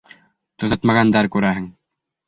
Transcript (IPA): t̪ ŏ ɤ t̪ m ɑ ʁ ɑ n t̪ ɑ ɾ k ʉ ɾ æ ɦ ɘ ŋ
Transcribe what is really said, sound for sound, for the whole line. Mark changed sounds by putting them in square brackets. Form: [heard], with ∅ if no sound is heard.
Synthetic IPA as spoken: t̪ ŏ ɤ t̪ m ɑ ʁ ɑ n [d̪] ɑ ɾ k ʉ ɾ æ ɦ ɘ ŋ